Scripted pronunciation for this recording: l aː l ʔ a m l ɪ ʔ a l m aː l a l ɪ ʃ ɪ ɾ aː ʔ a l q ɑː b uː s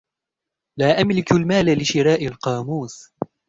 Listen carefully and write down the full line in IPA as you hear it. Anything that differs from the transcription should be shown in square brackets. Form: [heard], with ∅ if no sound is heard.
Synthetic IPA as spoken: l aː [∅] ʔ a m l ɪ [k] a l m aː l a l ɪ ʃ ɪ ɾ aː ʔ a l q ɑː [m] uː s